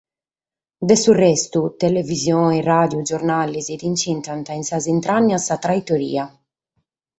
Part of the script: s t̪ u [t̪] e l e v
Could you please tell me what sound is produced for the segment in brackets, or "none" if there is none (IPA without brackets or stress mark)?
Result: t̪